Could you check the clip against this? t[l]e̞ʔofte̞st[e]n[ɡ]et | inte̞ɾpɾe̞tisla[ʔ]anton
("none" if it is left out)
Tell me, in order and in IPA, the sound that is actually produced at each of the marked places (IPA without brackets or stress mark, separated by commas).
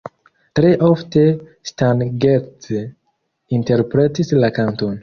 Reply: ɾ, a, ɡ, k